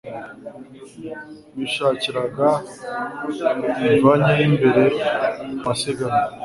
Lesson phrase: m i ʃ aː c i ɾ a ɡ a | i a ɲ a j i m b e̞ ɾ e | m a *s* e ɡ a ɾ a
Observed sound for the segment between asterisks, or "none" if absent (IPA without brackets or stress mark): s